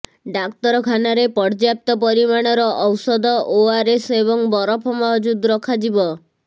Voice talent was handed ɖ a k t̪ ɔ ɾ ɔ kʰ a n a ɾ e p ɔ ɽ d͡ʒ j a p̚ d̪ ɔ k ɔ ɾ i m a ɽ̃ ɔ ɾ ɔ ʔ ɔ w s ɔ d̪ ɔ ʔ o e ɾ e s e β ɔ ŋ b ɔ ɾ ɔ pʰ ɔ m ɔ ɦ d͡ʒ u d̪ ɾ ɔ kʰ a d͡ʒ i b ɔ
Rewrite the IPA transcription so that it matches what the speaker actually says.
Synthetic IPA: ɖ a k t̪ ɔ ɾ ɔ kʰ a n a ɾ e p ɔ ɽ d͡ʒ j a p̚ t̪ ɔ p ɔ ɾ i m a ɽ̃ ɔ ɾ ɔ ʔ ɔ w s ɔ d̪ ɔ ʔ o a ɾ e s e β ɔ ŋ b ɔ ɾ ɔ pʰ ɔ m ɔ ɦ d͡ʒ u d̪ ɾ ɔ kʰ a d͡ʒ i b ɔ